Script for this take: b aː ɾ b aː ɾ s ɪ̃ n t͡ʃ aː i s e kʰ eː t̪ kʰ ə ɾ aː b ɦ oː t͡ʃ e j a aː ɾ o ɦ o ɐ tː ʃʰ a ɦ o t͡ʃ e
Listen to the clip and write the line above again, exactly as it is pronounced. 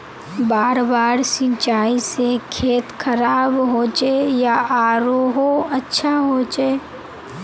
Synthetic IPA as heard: b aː ɾ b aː ɾ s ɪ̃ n t͡ʃ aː i s e kʰ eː t̪ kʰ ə ɾ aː b ɦ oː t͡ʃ e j a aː ɾ o ɦ o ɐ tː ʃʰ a ɦ o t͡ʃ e